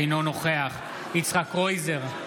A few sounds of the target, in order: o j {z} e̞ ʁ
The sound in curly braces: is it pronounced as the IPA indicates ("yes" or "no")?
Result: yes